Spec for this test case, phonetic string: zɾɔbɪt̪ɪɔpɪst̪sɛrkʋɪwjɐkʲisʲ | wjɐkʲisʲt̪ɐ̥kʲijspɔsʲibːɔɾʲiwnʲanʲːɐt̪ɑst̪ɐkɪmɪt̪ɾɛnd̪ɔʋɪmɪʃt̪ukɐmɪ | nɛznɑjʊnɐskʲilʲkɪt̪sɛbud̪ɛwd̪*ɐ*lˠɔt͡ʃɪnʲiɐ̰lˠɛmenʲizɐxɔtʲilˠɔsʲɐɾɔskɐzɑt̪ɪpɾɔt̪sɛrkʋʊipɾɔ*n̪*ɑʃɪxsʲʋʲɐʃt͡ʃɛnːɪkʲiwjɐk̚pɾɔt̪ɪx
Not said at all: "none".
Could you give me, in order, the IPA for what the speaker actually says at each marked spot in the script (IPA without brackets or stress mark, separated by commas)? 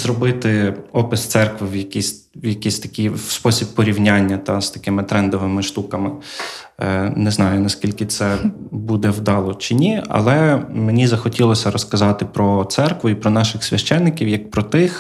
ɑ, n̪